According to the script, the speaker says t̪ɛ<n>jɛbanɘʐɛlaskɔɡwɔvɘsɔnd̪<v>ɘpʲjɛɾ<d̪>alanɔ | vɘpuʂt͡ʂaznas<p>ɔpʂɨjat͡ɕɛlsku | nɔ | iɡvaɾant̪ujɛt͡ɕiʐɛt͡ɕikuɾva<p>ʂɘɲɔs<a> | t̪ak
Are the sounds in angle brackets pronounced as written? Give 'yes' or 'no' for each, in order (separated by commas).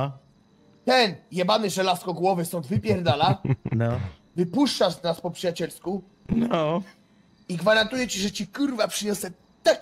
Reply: yes, yes, yes, yes, yes, no